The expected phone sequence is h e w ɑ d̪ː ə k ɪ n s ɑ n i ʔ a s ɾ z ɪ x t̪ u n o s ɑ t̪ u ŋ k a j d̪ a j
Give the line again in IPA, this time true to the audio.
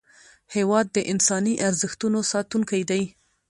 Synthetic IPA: h e w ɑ d̪ː ə ʔ ɪ n s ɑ n i ʔ a ɾ z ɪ x t̪ u n o s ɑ t̪ u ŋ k a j d̪ a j